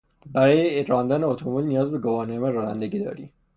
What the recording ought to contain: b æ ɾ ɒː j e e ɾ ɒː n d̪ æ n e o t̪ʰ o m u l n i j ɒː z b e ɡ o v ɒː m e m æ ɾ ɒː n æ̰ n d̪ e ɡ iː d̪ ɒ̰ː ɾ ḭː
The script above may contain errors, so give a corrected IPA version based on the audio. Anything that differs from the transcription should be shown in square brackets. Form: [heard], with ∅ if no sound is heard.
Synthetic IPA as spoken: b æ ɾ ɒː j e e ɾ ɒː n d̪ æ n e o t̪ʰ o m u l n i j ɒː z b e ɡ o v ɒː [n] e m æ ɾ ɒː n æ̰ n d̪ e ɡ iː d̪ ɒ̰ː ɾ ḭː